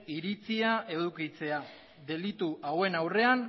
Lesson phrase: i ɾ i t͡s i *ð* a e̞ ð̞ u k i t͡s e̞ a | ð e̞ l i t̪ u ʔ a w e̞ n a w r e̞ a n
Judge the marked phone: incorrect: none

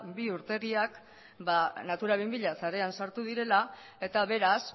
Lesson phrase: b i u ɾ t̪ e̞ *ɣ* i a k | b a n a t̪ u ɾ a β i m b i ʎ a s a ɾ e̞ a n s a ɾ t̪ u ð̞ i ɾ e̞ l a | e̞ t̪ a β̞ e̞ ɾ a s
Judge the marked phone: correct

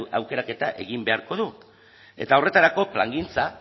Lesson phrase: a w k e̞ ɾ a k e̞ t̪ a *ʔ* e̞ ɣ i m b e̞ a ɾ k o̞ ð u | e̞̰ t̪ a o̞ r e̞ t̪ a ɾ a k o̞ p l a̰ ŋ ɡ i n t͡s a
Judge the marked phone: correct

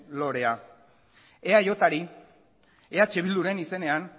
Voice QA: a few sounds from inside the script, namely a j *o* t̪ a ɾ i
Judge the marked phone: correct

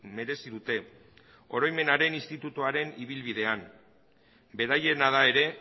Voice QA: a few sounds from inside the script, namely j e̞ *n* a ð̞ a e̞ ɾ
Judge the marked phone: correct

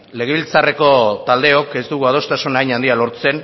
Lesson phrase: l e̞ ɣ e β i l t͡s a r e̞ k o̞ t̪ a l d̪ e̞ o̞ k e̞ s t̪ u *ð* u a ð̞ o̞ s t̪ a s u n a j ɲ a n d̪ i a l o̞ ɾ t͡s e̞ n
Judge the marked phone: incorrect: ɣ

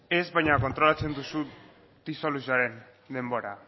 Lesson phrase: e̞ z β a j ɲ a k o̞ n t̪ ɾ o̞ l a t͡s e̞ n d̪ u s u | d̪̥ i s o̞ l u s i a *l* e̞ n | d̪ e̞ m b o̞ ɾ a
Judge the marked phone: incorrect: ɾ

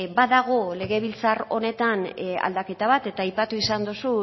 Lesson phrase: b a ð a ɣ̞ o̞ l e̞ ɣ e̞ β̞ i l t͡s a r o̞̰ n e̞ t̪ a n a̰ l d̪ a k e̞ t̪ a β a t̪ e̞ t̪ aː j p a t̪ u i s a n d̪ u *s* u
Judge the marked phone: correct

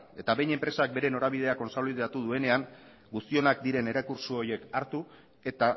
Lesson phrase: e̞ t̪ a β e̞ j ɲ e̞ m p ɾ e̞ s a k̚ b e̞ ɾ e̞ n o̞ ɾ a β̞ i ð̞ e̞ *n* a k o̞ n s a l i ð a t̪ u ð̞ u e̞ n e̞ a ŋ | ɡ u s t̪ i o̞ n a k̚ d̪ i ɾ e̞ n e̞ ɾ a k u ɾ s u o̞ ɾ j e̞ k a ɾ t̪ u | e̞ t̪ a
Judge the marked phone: incorrect: none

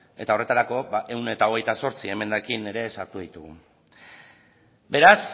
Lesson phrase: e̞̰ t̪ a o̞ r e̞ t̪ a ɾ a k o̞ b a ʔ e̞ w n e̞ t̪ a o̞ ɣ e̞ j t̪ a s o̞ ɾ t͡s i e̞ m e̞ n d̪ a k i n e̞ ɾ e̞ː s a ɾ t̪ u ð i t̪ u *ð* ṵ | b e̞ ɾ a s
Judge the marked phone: incorrect: ɣ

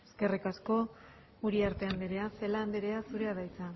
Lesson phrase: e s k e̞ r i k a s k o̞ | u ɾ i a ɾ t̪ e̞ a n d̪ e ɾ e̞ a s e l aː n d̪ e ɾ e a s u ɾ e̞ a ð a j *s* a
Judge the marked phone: incorrect: t͡s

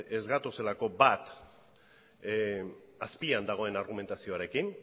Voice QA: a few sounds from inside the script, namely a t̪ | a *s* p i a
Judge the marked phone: correct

